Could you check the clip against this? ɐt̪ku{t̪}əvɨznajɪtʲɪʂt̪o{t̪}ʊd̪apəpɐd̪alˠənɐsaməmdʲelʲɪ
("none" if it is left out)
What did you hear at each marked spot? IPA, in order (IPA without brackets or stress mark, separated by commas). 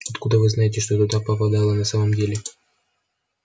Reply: d̪, t̪